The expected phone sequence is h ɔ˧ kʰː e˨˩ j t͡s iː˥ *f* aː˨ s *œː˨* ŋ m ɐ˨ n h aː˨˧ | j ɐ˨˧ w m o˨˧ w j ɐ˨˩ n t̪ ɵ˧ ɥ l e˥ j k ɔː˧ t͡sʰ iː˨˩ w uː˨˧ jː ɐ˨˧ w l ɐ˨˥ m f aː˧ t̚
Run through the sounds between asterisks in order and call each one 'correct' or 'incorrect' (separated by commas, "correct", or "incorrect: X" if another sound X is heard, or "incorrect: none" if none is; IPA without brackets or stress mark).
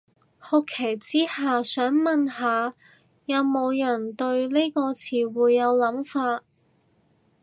incorrect: h, incorrect: œː˨˥